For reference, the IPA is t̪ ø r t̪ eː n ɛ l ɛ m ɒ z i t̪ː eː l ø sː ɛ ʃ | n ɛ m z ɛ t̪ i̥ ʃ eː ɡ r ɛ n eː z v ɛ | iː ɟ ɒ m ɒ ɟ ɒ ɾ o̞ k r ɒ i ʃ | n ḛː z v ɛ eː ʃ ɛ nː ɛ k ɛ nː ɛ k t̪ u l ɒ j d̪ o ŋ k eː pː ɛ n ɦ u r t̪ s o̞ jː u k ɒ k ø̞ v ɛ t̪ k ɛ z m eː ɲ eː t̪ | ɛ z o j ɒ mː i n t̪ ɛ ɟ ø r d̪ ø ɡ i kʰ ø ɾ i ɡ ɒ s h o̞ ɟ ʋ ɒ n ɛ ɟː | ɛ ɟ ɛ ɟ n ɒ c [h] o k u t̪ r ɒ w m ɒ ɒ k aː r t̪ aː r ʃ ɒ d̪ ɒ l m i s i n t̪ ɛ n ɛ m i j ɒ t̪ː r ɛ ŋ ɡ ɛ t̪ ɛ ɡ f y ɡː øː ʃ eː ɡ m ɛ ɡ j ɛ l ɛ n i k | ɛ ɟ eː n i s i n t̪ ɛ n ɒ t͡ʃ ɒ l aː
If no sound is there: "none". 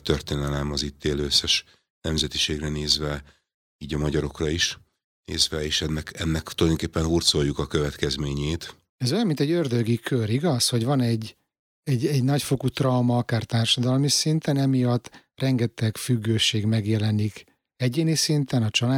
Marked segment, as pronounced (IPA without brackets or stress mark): f